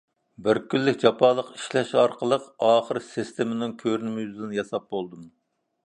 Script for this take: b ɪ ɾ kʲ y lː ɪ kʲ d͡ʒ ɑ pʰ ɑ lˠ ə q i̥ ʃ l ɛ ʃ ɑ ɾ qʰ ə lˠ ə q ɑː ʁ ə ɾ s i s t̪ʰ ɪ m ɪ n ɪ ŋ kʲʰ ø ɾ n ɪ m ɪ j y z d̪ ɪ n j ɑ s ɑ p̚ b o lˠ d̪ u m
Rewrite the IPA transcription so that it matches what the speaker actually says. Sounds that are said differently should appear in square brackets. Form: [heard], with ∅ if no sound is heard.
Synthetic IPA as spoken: b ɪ ɾ kʲ y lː ɪ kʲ d͡ʒ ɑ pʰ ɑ lˠ ə q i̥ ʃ l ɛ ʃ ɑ ɾ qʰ ə lˠ ə q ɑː [χ] ə ɾ s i s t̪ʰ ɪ m ɪ n ɪ ŋ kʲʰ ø ɾ n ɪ m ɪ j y z d̪ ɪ n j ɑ s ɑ p̚ b o lˠ d̪ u m

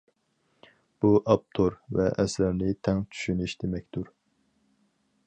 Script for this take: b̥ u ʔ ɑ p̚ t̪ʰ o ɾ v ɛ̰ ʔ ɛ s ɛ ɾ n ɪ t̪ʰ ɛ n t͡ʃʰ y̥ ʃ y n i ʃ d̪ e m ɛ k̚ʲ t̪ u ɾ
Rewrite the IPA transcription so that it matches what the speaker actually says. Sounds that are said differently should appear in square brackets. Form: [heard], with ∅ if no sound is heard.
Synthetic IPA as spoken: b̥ u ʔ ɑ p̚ t̪ʰ o ɾ v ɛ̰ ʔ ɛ s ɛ ɾ n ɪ t̪ʰ ɛ [ŋ] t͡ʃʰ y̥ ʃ y n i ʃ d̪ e m ɛ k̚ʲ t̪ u ɾ

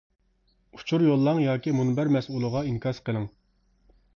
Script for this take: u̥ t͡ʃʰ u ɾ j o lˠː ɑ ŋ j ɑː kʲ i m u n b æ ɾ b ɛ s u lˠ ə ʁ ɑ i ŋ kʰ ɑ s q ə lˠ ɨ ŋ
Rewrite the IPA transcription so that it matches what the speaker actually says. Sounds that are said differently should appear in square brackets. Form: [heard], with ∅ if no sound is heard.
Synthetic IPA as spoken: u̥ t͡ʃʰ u ɾ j o lˠː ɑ ŋ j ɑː kʲ i m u n b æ ɾ [m] ɛ s u lˠ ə ʁ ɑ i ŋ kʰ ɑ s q ə lˠ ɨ ŋ

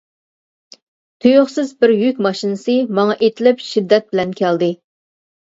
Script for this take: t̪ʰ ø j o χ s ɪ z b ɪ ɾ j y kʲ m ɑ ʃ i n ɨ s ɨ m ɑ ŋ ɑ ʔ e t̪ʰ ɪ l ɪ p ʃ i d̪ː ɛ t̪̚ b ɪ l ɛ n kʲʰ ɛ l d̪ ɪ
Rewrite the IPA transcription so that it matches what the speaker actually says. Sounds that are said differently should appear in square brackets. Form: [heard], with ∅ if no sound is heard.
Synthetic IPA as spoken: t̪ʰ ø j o χ s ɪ z b ɪ ɾ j y kʲ m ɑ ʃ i n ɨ s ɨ m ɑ ŋ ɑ ʔ e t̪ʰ ɪ l ɪ p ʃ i d̪ː ɛ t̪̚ b ɪ l ɛ n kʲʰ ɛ l d̪ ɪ

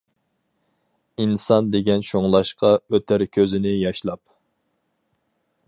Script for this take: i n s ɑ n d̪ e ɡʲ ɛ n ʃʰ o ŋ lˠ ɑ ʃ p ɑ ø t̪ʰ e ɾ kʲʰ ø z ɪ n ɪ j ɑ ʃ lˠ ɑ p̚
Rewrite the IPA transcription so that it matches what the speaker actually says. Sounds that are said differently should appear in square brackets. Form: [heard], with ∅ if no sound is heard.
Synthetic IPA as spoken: i n s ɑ n d̪ e ɡʲ ɛ n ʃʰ o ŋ lˠ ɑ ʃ [q] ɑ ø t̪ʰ [æ] ɾ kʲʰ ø z ɪ n ɪ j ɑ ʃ lˠ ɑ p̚

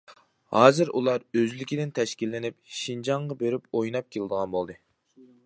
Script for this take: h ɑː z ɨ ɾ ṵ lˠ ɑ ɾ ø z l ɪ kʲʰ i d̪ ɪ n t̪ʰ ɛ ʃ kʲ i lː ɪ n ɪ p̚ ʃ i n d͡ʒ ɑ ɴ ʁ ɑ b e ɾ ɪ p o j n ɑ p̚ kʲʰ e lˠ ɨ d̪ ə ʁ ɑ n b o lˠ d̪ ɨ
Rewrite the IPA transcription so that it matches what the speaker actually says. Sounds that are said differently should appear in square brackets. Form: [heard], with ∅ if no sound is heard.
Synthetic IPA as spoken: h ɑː z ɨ ɾ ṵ lˠ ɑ ɾ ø z l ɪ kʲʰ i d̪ ɪ n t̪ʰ ɛ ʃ kʲ i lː ɪ n ɪ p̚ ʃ i n d͡ʒ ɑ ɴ ʁ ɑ b e ɾ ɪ p o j n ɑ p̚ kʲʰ e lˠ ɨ d̪ ə ʁ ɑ n b o lˠ d̪ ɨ

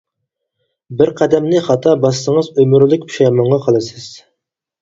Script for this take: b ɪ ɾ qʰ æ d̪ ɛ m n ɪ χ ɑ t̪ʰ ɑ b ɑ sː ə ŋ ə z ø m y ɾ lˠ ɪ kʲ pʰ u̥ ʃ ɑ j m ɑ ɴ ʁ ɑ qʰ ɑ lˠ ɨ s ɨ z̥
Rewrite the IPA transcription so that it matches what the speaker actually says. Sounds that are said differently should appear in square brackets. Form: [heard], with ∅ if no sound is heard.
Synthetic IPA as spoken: b ɪ ɾ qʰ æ d̪ ɛ m n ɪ χ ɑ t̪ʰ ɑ b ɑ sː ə ŋ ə z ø m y ɾ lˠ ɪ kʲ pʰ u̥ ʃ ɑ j m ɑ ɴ ʁ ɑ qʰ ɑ lˠ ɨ s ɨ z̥

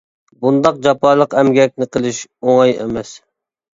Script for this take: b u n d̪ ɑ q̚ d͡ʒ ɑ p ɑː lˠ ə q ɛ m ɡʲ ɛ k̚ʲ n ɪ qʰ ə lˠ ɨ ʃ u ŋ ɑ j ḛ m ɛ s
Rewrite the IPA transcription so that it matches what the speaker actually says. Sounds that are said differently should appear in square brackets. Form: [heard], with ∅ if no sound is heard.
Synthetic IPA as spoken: b u n d̪ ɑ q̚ d͡ʒ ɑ p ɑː lˠ ə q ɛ m ɡʲ ɛ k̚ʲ n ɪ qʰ ə lˠ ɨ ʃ [o] ŋ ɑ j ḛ m ɛ s

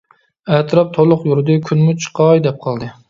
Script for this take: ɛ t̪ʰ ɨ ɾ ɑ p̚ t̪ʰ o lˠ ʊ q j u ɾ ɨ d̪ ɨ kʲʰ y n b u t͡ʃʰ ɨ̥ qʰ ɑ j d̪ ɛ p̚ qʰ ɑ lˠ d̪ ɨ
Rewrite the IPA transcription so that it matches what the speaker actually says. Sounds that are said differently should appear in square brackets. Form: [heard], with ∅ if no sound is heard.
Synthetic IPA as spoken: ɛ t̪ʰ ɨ ɾ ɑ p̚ t̪ʰ o lˠ ʊ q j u ɾ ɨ d̪ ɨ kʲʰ y n [m] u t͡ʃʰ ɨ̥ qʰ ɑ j d̪ ɛ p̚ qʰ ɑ lˠ d̪ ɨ

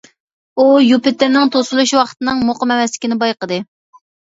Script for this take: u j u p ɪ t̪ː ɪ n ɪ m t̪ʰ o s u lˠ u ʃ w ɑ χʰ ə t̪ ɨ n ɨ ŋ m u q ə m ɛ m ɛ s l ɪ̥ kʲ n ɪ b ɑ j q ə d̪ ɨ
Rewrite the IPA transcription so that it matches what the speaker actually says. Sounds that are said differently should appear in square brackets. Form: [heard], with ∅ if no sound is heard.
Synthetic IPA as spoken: u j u p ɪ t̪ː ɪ n ɪ [ŋ] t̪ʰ o s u lˠ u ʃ w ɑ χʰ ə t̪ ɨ n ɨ ŋ m [o] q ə m ɛ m ɛ s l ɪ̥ kʲ n ɪ b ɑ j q ə d̪ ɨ

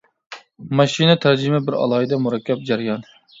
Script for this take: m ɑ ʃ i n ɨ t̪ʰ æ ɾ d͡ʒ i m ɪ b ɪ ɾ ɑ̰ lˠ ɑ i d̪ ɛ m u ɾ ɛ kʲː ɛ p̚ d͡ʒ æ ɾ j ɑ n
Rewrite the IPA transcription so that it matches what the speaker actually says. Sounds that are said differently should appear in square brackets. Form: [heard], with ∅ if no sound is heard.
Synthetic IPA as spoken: m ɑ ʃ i n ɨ t̪ʰ æ ɾ d͡ʒ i m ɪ b ɪ ɾ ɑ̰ lˠ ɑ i d̪ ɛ m u ɾ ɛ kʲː ɛ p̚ d͡ʒ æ ɾ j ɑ n

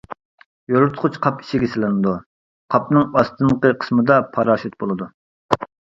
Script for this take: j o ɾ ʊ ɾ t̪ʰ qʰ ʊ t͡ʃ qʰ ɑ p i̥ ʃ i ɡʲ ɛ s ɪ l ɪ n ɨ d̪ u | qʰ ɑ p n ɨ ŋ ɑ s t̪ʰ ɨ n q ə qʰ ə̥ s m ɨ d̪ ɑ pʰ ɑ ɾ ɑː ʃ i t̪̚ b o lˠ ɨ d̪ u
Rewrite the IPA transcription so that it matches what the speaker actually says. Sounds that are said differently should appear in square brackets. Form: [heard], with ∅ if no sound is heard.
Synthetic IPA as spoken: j o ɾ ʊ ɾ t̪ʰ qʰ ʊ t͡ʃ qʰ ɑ p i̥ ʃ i ɡʲ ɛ s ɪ l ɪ n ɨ d̪ u | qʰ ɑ p n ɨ ŋ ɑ s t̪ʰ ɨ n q ə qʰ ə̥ s m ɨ d̪ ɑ pʰ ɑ ɾ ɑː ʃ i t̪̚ b o lˠ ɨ d̪ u

